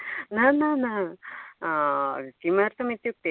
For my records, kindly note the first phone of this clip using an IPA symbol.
n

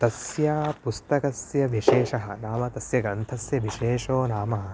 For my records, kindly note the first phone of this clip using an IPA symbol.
t̪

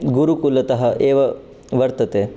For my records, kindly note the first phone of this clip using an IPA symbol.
ɡ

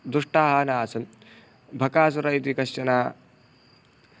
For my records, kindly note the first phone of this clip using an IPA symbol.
d̪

